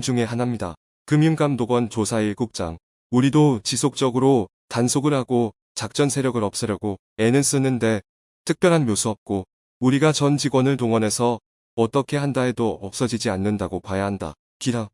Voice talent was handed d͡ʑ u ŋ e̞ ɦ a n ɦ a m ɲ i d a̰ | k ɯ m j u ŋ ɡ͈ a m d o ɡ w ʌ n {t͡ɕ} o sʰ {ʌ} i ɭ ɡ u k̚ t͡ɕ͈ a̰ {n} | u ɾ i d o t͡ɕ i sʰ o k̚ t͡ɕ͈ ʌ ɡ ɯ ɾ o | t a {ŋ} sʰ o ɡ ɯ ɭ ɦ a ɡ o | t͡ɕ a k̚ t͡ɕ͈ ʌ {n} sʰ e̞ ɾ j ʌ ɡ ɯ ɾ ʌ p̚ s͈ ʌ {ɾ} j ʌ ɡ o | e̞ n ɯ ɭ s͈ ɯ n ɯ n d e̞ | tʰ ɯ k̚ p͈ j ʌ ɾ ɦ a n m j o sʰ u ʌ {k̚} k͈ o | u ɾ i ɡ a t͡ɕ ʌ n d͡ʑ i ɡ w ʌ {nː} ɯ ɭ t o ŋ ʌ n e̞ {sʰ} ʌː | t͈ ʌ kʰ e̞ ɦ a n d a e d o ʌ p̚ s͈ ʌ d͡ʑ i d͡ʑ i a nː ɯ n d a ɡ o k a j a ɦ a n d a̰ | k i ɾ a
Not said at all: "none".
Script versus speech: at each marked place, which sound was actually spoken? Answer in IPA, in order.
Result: t͡ɕ, a, ŋ, n, n, ɾ, p̚, n, sʰ

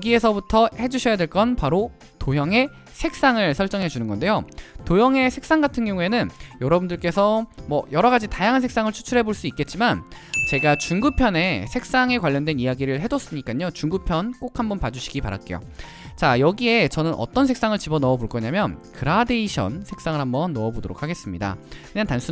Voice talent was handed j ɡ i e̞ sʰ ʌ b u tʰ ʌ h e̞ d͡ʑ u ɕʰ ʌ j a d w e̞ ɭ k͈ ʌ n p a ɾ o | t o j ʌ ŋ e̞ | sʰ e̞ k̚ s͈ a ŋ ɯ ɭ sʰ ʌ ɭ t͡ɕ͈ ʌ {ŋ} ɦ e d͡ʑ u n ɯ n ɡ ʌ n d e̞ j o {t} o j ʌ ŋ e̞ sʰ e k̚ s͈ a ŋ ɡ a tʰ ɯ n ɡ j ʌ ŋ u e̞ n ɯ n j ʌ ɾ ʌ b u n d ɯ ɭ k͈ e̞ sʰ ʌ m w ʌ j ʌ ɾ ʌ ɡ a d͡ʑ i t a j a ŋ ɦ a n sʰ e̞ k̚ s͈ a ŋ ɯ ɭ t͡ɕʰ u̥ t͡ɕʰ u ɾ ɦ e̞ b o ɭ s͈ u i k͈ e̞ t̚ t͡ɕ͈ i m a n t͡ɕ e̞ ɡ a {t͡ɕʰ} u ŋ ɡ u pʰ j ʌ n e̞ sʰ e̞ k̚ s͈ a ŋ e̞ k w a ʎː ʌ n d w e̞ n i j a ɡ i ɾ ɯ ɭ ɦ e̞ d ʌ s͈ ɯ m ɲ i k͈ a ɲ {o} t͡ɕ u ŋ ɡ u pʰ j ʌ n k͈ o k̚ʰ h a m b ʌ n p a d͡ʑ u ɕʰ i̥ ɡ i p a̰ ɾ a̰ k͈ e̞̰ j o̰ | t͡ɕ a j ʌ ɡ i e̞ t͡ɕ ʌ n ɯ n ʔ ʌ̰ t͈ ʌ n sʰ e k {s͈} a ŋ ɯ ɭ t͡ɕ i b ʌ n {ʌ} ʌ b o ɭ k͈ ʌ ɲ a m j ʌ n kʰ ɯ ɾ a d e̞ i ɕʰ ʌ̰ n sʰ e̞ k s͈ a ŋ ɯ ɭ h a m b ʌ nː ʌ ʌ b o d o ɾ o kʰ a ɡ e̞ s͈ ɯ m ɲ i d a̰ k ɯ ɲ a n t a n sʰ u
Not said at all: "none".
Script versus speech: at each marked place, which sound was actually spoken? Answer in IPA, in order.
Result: ŋ, t, t͡ɕ, o, s͈, ʌ

